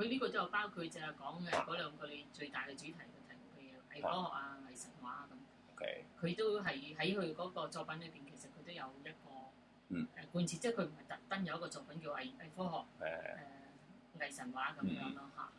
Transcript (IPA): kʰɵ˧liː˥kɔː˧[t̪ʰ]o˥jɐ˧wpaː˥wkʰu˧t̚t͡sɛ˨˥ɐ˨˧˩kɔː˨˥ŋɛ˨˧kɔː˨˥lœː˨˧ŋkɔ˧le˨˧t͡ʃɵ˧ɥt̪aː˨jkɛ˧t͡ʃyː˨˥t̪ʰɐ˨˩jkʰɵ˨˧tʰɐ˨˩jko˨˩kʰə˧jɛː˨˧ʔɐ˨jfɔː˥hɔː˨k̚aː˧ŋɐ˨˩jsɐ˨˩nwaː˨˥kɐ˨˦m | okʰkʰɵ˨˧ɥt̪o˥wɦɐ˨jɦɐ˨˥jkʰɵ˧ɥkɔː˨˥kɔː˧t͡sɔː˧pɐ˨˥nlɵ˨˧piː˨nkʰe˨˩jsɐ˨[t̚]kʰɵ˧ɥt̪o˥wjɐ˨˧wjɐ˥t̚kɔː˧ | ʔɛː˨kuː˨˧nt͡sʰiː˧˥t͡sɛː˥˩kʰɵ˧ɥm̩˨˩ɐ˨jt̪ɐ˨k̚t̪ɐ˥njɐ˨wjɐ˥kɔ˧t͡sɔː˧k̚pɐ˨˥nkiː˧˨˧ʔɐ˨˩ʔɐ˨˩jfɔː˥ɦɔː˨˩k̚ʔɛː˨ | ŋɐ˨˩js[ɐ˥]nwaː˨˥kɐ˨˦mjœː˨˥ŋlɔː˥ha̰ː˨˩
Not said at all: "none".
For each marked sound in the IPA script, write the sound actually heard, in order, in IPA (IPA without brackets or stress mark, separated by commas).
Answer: t̪, t̚, ɐ˨˩